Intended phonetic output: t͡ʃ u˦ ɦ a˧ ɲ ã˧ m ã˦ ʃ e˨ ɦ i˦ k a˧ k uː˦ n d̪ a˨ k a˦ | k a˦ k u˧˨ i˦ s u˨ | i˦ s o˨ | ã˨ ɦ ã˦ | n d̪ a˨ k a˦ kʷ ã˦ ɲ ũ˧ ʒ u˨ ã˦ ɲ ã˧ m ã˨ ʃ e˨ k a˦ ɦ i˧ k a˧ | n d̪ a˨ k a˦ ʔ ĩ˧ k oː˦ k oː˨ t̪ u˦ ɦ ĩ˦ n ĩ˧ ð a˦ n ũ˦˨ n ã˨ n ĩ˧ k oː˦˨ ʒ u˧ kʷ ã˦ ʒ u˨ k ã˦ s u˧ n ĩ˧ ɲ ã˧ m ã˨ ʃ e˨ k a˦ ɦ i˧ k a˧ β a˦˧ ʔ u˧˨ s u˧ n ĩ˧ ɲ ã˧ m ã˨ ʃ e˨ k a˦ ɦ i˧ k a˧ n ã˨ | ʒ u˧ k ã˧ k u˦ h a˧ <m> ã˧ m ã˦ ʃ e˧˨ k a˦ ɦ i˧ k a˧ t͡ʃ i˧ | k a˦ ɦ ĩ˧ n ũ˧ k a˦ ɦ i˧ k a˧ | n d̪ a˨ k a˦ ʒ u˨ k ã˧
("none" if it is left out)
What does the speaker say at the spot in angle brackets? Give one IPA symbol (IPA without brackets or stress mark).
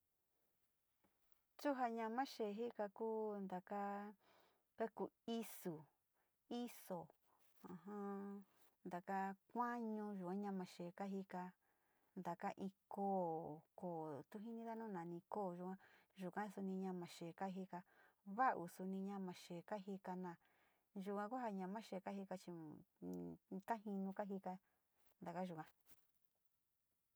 ɲ